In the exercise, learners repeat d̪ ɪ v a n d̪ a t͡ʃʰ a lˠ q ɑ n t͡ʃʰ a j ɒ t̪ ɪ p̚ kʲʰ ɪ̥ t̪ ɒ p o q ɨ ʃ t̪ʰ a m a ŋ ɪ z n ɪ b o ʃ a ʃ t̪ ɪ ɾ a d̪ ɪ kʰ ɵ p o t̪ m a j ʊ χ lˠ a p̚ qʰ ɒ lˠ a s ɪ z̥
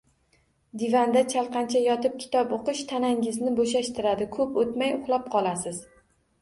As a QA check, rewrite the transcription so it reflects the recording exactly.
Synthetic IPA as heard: d̪ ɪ v a n d̪ a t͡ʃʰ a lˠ q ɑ n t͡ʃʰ a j ɒ t̪ ɪ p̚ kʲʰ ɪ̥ t̪ ɒ p o q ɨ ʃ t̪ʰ a n a ŋ ɪ z n ɪ b o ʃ a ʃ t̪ ɪ ɾ a d̪ ɪ kʰ ɵ p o t̪ m a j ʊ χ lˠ a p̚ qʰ ɒ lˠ a s ɪ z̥